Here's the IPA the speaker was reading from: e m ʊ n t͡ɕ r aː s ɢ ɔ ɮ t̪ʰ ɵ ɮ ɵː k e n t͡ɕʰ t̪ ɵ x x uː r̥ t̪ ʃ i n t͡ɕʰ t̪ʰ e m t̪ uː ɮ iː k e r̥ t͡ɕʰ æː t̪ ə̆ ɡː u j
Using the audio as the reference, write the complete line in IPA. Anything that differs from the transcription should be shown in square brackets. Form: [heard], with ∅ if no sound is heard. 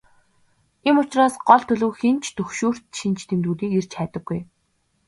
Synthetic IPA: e m ʊ [∅] t͡ɕ r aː s ɢ ɔ ɮ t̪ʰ ɵ ɮ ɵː [x] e n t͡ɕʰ t̪ ɵ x [ʃ] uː r̥ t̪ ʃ i n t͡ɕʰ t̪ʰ e m t̪ uː ɮ iː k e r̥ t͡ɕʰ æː t̪ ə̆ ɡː u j